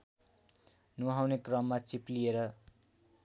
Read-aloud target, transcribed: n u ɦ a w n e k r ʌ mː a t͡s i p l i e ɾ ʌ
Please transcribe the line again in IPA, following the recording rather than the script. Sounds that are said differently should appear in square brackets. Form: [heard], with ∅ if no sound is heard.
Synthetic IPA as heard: n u ɦ a w n e k r ʌ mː a t͡s i p l i e ɾ ʌ